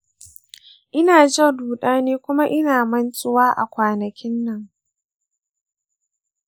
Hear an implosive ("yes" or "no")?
yes